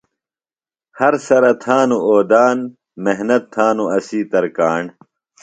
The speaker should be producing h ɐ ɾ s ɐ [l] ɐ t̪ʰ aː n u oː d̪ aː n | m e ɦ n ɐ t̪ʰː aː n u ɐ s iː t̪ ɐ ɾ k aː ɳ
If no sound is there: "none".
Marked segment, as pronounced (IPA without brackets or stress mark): ɾ